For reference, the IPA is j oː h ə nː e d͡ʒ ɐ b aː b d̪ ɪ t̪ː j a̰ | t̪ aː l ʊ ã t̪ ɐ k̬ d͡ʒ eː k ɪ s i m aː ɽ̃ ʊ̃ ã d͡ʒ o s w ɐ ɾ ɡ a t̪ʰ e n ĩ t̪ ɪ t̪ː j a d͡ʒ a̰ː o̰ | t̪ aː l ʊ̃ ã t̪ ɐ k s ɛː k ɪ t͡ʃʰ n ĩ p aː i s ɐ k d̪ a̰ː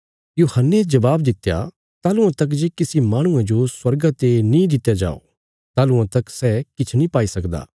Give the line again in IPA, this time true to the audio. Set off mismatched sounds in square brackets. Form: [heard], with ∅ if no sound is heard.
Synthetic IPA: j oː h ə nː e d͡ʒ ɐ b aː b d̪ ɪ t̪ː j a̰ | t̪ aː l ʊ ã t̪ ɐ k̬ d͡ʒ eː k ɪ s i m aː ɽ̃ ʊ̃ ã d͡ʒ o s w ɐ ɾ ɡ a [t̪] e n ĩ [d̪] ɪ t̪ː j a d͡ʒ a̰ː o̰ | t̪ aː l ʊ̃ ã t̪ ɐ k s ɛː k ɪ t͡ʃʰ n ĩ p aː i s ɐ k d̪ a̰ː